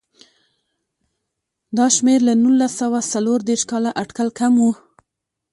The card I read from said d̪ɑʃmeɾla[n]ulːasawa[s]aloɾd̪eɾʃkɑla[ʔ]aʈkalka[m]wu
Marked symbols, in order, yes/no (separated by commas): yes, yes, yes, yes